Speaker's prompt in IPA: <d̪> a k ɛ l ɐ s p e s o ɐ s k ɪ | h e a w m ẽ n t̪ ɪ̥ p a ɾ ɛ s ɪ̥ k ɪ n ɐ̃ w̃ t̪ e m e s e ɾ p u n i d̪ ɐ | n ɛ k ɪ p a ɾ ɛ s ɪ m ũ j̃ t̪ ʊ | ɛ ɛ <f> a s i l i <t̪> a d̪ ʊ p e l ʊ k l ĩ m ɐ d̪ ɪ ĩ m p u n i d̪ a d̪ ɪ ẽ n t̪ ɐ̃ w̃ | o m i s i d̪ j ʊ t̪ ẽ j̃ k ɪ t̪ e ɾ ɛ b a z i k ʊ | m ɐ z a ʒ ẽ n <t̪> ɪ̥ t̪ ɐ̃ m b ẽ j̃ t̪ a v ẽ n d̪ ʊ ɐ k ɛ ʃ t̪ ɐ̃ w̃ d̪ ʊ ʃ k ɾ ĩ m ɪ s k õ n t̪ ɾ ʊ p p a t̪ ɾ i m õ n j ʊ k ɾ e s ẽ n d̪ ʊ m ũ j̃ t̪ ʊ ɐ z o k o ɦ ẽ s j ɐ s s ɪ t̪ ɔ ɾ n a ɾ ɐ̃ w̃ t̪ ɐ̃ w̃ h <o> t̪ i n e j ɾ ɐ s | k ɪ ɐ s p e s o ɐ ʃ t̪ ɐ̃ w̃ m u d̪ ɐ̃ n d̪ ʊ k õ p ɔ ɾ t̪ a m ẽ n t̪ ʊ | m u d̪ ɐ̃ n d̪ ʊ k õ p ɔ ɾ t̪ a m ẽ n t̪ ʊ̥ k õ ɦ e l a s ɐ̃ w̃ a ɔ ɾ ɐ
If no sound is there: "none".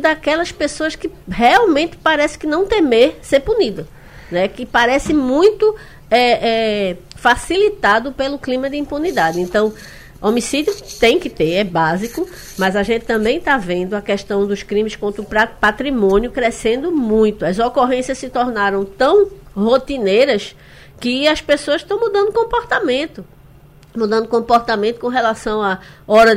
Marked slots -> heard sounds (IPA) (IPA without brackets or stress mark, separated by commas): d̪, f, t̪, t̪, o